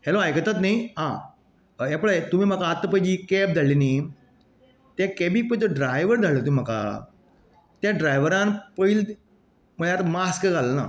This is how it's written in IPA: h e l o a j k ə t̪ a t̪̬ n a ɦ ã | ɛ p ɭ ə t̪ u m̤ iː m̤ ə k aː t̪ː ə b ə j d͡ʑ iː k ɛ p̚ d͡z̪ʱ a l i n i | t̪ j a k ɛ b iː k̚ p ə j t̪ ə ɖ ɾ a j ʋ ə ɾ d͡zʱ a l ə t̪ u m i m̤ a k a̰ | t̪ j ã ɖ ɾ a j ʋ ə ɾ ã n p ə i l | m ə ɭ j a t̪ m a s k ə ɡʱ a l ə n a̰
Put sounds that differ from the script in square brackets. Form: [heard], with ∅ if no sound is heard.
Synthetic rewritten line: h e l o a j k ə t̪ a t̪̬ n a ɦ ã | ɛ p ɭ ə t̪ u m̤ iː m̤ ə k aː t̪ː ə [p] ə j d͡ʑ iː k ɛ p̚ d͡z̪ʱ a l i n i | t̪ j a k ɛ b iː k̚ p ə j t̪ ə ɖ ɾ a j ʋ ə ɾ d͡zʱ a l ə t̪ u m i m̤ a k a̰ | t̪ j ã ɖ ɾ a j ʋ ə ɾ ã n p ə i l | m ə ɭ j a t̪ m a s k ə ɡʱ a l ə n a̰